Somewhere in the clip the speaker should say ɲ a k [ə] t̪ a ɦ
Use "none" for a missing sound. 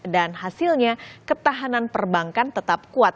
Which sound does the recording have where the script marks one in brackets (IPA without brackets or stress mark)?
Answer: ə